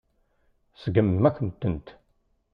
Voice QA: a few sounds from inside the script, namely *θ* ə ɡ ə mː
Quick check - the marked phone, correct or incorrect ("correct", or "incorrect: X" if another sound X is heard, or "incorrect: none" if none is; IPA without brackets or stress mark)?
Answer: incorrect: s